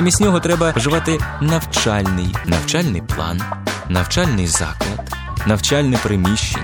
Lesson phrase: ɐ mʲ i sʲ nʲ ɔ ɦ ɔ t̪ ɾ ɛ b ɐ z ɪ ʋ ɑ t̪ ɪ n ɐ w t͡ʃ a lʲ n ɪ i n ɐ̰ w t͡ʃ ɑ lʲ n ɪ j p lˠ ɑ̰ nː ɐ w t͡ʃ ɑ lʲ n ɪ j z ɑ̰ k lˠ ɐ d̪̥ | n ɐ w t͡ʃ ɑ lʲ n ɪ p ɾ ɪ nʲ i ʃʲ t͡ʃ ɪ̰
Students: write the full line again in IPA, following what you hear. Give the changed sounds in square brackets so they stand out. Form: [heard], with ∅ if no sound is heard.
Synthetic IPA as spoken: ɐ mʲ i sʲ nʲ ɔ ɦ ɔ t̪ ɾ ɛ b ɐ [ʒ] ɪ ʋ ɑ t̪ ɪ n ɐ w t͡ʃ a lʲ n ɪ [j] n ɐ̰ w t͡ʃ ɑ lʲ n ɪ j p lˠ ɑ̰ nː ɐ w t͡ʃ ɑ lʲ n ɪ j z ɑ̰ k lˠ ɐ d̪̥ | n ɐ w t͡ʃ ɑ lʲ n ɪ p ɾ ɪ [mʲ] i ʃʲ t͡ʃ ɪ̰